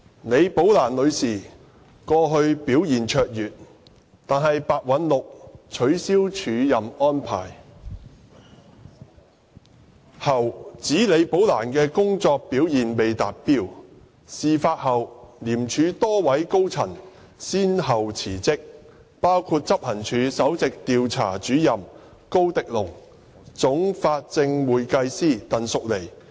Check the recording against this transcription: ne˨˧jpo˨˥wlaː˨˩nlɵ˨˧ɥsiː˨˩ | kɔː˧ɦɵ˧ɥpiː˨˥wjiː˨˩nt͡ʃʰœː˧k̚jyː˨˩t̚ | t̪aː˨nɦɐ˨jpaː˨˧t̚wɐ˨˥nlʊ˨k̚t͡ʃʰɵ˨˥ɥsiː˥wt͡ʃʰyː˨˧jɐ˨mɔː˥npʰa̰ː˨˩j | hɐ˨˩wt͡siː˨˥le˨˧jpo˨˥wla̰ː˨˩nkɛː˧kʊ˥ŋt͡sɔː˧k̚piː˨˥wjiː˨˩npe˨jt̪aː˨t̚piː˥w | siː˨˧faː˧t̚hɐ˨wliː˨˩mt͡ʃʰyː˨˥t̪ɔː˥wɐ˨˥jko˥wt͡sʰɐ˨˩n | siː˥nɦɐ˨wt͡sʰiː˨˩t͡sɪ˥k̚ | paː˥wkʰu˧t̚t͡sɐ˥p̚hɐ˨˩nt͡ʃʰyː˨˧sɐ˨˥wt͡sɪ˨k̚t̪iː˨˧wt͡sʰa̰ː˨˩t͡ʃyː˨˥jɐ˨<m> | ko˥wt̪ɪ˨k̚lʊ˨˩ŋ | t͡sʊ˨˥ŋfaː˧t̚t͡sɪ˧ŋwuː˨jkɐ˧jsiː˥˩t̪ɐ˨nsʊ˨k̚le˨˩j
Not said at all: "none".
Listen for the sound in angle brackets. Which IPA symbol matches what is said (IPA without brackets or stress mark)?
m